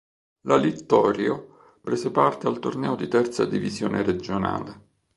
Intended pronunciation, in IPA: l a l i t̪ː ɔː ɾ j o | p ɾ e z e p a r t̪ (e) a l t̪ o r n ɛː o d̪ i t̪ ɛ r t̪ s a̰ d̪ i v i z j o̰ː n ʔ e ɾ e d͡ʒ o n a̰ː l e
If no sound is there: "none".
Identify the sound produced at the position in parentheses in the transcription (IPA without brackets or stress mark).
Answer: e